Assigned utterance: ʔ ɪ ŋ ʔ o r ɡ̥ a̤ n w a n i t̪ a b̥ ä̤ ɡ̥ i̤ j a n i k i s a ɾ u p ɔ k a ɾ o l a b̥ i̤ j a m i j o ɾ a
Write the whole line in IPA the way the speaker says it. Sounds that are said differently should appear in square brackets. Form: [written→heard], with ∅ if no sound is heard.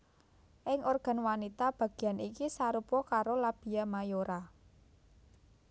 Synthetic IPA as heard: ʔ ɪ ŋ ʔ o r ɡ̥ a̤ n w a n i t̪ a b̥ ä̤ ɡ̥ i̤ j a n i k i s a ɾ u p ɔ k a ɾ o l a b̥ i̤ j a m [i→a] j o ɾ a